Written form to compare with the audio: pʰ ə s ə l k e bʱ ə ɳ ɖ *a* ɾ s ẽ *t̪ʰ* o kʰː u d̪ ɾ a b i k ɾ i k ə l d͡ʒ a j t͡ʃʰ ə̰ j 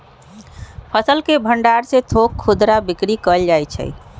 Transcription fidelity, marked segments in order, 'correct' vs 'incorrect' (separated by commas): correct, correct